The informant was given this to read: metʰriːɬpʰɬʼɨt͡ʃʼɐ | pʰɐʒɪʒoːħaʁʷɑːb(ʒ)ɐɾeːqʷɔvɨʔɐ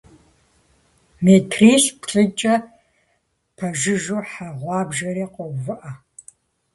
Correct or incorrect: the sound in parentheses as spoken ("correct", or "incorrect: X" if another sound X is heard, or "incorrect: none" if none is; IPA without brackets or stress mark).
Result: correct